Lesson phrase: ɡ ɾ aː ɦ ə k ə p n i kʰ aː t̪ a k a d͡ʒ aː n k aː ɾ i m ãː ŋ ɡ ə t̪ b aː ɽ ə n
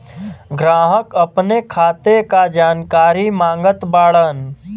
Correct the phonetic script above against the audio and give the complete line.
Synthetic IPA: ɡ ɾ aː ɦ ə k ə p n e kʰ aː t̪ e k a d͡ʒ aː n k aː ɾ i m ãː ŋ ɡ ə t̪ b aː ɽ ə n